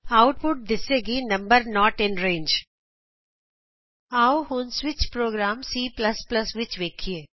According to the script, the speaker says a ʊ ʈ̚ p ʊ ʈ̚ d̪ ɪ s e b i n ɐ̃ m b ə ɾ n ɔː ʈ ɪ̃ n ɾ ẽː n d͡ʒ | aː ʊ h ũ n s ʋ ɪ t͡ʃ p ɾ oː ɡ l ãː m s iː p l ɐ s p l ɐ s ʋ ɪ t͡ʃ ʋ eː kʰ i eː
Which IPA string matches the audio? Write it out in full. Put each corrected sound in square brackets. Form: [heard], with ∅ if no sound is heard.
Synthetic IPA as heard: a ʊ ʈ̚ p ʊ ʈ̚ d̪ ɪ s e [ɡ] i n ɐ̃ m b ə ɾ n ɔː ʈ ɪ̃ n ɾ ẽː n d͡ʒ | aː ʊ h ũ n s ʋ ɪ t͡ʃ p ɾ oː ɡ [ɾ] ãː m s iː p l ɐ s p l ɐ s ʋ ɪ t͡ʃ ʋ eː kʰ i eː